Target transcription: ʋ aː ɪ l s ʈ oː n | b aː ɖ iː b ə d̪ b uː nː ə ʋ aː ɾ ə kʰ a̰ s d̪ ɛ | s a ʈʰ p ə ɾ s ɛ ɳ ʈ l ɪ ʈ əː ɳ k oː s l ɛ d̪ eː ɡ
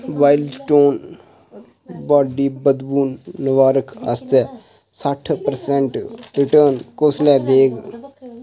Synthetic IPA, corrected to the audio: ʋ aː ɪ l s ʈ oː n | b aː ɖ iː b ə d̪ b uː nː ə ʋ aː ɾ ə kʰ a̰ s t̪ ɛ | s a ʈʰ p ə ɾ s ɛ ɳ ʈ ɾ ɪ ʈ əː n k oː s l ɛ d̪ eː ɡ

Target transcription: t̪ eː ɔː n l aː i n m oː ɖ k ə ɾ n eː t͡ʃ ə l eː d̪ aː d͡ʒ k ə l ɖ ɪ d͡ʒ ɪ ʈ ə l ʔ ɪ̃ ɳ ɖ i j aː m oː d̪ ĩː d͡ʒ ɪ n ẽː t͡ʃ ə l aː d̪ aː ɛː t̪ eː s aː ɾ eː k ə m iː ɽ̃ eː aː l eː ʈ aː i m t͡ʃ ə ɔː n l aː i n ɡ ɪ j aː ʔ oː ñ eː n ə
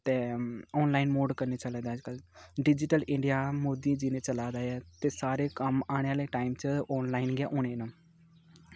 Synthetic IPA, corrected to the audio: t̪ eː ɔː n l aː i n m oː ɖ k ə ɾ n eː t͡ʃ ə l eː d̪ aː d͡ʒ k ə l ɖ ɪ d͡ʒ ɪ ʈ ə l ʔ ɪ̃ ɳ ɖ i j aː m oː d̪ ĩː d͡ʒ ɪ n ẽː t͡ʃ ə l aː d̪ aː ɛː t̪ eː s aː ɾ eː k ə m aː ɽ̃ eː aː l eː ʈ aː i m t͡ʃ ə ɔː n l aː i n ɡ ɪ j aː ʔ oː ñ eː n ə

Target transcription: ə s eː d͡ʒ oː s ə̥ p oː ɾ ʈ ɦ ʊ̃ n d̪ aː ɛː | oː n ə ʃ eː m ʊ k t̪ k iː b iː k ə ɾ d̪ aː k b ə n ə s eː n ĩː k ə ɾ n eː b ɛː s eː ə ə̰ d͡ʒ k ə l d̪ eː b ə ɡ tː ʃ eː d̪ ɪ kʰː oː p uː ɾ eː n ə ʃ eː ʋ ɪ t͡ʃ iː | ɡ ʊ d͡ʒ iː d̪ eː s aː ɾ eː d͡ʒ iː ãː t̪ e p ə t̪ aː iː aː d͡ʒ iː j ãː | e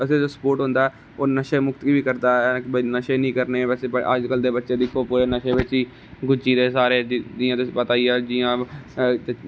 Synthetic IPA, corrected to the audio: ə s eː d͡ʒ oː s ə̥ p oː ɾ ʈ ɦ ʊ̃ n d̪ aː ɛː | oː n ə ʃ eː m ʊ k t̪ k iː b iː k ə ɾ d̪ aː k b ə n ə ʃ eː n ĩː k ə ɾ n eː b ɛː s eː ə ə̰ d͡ʒ k ə l d̪ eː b ə tː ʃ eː d̪ ɪ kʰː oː p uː ɾ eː n ə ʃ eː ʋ ɪ t͡ʃ iː | ɡ ʊ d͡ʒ iː d̪ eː s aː ɾ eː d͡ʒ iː ãː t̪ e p ə t̪ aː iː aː d͡ʒ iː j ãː | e

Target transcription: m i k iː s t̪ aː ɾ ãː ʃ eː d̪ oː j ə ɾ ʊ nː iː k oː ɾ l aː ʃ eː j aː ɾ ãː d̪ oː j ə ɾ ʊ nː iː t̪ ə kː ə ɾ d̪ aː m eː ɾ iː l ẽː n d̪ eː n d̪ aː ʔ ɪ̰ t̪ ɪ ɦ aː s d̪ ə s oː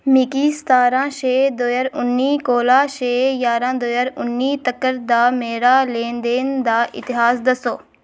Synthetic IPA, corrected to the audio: m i k iː s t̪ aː ɾ ãː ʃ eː d̪ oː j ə ɾ ʊ nː iː k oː l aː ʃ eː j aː ɾ ãː d̪ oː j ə ɾ ʊ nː iː t̪ ə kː ə ɾ d̪ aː m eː ɾ aː l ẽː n d̪ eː n d̪ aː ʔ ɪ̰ t̪ ɪ ɦ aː s d̪ ə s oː

